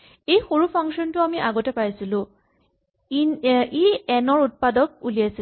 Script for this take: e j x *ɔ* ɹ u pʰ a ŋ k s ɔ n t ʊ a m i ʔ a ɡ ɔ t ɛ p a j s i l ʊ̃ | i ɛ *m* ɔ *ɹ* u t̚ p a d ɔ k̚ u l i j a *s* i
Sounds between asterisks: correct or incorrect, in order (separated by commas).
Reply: incorrect, incorrect, correct, correct